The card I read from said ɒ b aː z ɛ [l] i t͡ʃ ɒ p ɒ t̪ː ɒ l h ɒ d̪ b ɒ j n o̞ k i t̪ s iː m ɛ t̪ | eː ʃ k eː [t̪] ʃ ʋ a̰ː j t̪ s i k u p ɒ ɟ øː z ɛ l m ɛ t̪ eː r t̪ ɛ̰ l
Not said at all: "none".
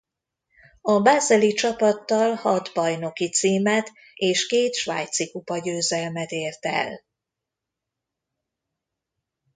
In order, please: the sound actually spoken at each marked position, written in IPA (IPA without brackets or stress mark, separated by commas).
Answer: l, t̪